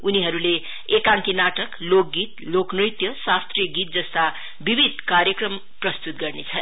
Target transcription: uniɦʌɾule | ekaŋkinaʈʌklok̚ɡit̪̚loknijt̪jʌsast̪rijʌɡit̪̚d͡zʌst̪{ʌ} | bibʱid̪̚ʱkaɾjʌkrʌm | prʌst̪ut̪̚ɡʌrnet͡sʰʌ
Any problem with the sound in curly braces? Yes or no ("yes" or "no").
yes